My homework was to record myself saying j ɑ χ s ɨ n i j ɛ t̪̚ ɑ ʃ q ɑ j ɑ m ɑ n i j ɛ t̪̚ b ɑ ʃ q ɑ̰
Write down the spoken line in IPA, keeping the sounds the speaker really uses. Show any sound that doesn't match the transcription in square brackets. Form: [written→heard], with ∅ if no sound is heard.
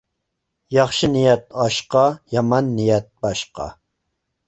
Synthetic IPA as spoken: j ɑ χ [s→ʃ] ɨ n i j ɛ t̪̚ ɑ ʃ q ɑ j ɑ m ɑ [n→nː] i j ɛ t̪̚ b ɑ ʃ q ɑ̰

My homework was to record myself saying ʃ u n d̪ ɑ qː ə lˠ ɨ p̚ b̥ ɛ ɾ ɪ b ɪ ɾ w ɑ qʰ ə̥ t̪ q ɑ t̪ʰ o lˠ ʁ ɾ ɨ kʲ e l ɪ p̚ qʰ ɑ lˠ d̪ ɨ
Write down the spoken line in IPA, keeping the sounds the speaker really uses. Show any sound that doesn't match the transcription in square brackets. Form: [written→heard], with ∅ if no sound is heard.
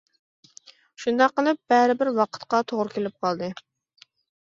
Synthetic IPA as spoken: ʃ u n d̪ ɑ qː ə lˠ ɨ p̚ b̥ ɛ ɾ ɪ b ɪ ɾ w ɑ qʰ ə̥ t̪ q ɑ t̪ʰ o [lˠ→∅] ʁ ɾ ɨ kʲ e l ɪ p̚ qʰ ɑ lˠ d̪ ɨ

